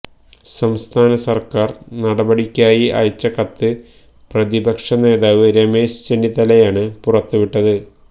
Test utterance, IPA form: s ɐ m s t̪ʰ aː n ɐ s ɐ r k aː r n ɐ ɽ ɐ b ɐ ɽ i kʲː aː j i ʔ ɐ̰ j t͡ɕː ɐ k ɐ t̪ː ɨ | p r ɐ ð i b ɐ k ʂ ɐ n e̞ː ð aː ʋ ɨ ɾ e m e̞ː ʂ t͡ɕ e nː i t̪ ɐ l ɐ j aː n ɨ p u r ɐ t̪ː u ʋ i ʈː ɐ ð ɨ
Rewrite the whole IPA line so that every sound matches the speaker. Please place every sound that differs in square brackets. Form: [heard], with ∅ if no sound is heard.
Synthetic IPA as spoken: s ɐ m s t̪ʰ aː n ɐ s ɐ r k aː r n ɐ ɽ ɐ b ɐ ɽ i kʲː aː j i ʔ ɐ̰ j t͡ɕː ɐ k ɐ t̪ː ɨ | p r ɐ ð i b ɐ k ʂ ɐ n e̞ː ð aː ʋ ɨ ɾ e m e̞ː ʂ t͡ɕ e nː i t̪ ɐ l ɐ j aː [ɳ] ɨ p u r ɐ t̪ː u ʋ i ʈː ɐ ð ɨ